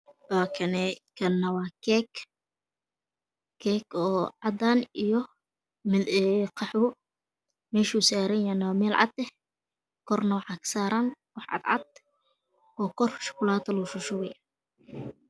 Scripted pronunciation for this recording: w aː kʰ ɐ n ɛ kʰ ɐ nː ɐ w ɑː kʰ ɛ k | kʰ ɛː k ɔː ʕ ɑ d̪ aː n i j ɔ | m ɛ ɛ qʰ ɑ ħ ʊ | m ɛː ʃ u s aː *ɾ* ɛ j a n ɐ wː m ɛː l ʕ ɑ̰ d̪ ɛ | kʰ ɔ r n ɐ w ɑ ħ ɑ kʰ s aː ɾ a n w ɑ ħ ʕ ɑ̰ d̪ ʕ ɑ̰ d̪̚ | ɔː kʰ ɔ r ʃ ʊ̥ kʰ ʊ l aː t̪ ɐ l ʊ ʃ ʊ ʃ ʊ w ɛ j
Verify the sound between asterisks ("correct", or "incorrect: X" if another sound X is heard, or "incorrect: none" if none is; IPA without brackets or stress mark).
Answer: correct